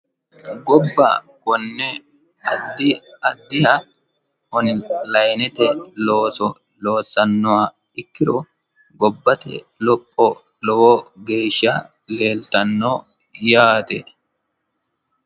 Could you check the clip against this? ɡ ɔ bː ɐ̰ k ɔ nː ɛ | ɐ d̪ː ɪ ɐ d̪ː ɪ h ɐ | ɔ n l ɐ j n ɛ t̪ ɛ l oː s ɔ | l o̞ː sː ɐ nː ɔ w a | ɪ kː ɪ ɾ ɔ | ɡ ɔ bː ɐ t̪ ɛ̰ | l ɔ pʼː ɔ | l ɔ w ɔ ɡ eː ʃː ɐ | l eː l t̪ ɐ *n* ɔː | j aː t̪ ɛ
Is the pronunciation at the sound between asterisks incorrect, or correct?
incorrect